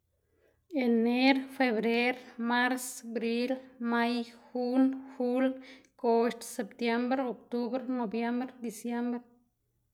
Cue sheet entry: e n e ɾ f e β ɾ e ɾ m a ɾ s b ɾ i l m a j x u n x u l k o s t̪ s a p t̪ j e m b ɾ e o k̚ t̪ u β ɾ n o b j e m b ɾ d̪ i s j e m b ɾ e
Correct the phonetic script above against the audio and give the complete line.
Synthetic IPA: e n e ɾ f e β ɾ e ɾ m a ɾ s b ɾ i l m a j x u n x u l k o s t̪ s e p t̪ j e m b ɾ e o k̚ t̪ u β ɾ n o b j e m b ɾ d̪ i s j e m b ɾ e